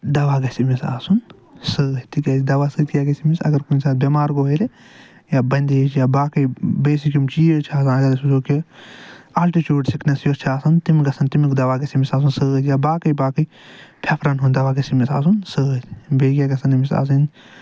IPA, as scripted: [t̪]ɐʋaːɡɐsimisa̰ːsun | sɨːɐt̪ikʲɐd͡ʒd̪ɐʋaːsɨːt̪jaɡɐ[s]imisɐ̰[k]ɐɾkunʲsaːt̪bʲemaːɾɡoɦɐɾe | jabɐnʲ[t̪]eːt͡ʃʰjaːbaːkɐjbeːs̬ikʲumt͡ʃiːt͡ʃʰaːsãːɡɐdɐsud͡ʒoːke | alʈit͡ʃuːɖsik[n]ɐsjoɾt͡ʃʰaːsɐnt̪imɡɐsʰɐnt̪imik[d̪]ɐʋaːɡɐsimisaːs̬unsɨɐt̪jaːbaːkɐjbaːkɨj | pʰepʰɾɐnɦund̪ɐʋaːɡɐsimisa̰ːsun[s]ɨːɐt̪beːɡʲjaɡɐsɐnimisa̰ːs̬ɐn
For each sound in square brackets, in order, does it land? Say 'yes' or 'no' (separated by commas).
no, yes, no, no, yes, yes, yes